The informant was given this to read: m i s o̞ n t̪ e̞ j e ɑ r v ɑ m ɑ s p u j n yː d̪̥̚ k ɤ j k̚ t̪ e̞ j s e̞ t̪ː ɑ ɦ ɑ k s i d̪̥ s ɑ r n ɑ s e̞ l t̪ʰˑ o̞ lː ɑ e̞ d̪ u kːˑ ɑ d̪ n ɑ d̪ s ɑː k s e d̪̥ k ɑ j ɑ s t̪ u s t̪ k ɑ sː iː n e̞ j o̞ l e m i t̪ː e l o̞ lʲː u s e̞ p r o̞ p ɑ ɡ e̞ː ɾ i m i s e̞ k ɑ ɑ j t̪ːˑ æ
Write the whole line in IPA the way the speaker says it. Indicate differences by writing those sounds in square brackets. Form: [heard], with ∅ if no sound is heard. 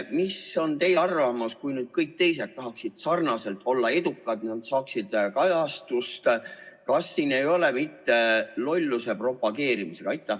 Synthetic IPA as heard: m i s o̞ n t̪ e̞ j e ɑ r v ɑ m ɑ s [k] u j n yː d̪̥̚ k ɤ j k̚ t̪ e̞ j s e̞ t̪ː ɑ ɦ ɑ k s i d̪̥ s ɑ r n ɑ s e̞ l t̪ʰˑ o̞ lː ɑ e̞ d̪ u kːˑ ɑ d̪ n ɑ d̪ s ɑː k s [i] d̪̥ k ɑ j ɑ s t̪ u s t̪ k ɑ sː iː n e̞ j o̞ l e m i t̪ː e l o̞ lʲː u s e̞ p r o̞ p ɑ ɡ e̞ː ɾ i m i s e̞ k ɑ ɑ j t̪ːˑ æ

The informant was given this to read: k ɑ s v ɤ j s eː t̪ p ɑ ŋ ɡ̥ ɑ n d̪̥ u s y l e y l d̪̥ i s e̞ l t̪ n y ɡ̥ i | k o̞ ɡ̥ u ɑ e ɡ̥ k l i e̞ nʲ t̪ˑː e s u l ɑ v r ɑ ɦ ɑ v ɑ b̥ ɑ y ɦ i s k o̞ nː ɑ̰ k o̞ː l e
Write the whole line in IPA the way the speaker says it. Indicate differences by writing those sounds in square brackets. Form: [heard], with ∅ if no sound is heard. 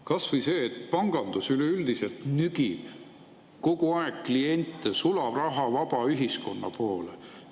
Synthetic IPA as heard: k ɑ s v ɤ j s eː t̪ p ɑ ŋ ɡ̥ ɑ n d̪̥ u s y l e y l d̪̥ i s e̞ l t̪ n y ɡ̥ i | k o̞ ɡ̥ u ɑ e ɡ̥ k l i e̞ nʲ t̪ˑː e s u l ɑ v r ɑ ɦ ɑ v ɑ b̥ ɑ y ɦ i s k o̞ nː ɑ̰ [p] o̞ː l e

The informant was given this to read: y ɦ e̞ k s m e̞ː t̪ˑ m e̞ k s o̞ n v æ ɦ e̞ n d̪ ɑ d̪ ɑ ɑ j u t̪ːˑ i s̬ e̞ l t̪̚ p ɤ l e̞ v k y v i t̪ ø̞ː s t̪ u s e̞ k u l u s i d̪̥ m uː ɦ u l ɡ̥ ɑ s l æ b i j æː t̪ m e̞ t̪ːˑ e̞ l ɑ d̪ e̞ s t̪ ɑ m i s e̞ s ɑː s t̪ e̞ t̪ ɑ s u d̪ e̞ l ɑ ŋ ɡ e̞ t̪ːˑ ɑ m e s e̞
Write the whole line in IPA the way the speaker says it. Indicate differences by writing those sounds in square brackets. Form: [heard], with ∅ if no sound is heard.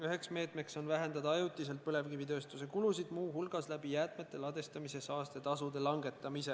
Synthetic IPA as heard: y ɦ e̞ k s m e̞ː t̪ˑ m e̞ k s o̞ n v æ ɦ e̞ n d̪ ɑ d̪ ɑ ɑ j u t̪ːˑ i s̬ e̞ l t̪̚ p ɤ l e̞ v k [i] v i t̪ ø̞ː s t̪ u s e̞ k u l u s i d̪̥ m uː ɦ u l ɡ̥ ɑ s l æ b i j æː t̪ m e̞ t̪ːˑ e̞ l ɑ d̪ e̞ s t̪ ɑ m i s e̞ s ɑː s t̪ e̞ t̪ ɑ s u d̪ e̞ l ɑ ŋ ɡ e̞ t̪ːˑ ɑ m [i] s e̞

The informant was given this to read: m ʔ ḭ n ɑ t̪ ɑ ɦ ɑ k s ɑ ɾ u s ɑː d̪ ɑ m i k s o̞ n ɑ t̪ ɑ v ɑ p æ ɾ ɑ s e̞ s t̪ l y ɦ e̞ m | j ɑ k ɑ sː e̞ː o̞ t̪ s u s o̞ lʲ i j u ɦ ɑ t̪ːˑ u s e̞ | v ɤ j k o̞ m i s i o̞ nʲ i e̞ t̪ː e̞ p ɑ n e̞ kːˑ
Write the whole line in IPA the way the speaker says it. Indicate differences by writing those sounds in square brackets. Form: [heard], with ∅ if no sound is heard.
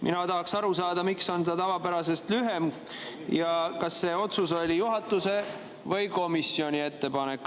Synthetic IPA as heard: m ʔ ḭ n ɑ t̪ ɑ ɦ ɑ k s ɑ ɾ u s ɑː d̪ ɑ m i k s o̞ n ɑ t̪ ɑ v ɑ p æ ɾ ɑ s e̞ s t̪ l y ɦ e̞ m | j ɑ k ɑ sː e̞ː o̞ t̪ s u s o̞ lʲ i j u ɦ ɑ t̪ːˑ u s e̞ | v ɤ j k o̞ m i s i o̞ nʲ i e̞ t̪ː e̞ p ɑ n e̞ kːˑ

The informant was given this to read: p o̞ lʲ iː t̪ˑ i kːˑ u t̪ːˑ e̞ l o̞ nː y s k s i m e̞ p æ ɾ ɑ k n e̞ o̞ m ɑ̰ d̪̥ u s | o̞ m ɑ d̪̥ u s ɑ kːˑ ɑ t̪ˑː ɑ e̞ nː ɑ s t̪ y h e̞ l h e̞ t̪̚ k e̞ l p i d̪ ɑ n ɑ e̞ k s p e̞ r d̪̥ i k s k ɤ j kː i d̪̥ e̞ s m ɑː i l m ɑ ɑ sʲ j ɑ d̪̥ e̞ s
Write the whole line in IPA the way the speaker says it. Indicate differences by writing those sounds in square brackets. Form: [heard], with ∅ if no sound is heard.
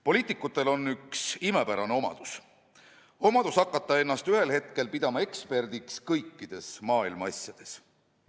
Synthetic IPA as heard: p o̞ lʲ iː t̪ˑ i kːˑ u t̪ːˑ e̞ l o̞ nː y [∅] k s i m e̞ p æ ɾ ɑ [∅] n e̞ o̞ m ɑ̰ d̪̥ u s | o̞ m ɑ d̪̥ u s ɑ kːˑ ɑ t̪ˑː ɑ e̞ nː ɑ s t̪ y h e̞ l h e̞ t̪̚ k e̞ l p i d̪ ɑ [m] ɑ e̞ k s p e̞ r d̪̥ i k s k ɤ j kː i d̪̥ e̞ s m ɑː i l m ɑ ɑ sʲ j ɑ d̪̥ e̞ s

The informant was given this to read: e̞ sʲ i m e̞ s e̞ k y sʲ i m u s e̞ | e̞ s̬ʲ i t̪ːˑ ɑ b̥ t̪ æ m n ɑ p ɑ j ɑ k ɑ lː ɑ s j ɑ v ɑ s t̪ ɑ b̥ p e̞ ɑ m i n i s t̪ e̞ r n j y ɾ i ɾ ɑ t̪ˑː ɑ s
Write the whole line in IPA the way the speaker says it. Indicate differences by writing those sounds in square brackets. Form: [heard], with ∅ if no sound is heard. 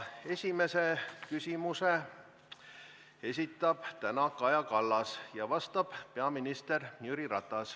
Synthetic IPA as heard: e̞ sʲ i m e̞ s e̞ k y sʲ i m u s e̞ | e̞ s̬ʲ i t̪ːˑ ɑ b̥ t̪ æ [∅] n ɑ [k] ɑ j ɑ k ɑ lː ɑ s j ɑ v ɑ s t̪ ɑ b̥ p e̞ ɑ m i n i s t̪ e̞ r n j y ɾ i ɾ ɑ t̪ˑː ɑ s

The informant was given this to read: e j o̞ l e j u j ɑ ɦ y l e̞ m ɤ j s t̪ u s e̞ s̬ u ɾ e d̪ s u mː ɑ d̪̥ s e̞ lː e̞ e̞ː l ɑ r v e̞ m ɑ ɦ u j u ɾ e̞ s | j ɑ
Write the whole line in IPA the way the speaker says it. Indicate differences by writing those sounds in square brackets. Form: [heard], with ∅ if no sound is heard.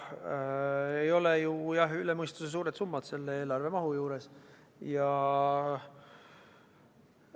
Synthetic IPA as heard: e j o̞ l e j u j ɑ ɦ y l e̞ m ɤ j s t̪ u s e̞ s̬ [uː] ɾ e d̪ s u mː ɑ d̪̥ s e̞ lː e̞ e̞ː l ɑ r v e̞ m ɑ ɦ u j [uː] ɾ e̞ s | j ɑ

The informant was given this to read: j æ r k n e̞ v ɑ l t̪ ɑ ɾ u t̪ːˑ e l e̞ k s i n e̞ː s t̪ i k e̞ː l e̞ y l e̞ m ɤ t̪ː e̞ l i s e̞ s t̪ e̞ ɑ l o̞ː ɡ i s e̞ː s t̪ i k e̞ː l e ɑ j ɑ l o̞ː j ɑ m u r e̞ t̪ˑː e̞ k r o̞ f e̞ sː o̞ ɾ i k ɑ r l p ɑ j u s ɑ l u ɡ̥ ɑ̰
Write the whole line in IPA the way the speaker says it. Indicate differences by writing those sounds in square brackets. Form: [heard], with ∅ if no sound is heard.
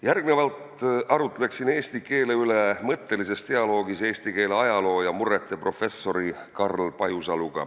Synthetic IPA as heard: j æ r [ɡ] n e̞ v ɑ l t̪ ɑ ɾ u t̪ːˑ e l e̞ k s i n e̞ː s t̪ i k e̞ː l e̞ y l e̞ m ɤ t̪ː e̞ l i s e̞ s t̪ e̞ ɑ l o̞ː ɡ i s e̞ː s t̪ i k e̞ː l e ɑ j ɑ l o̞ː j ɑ m u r e̞ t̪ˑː e̞ [p] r o̞ f e̞ sː o̞ ɾ i k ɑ r l p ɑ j u s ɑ l u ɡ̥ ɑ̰

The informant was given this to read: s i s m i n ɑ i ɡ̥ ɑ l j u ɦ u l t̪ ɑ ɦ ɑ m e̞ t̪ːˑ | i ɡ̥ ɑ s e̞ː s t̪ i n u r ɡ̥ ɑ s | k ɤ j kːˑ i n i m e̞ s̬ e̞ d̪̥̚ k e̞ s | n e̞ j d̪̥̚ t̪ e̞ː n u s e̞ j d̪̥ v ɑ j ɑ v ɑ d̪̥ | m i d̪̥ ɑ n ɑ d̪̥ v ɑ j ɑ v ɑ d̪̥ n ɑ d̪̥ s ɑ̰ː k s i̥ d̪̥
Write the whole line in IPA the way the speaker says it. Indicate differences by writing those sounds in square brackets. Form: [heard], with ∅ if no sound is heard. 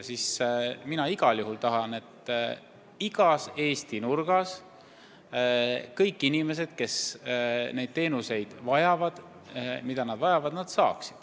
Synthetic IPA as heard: s i s m i n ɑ i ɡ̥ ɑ l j u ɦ u l t̪ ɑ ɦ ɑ [n] e̞ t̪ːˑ | i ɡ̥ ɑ s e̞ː s t̪ i n u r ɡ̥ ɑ s | k ɤ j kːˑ i n i m e̞ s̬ e̞ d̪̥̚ k e̞ s | n e̞ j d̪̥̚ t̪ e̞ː n u s e̞ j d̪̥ v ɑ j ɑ v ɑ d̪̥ | m i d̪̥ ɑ n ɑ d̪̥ v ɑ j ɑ v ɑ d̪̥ n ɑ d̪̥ s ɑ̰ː k s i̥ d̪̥

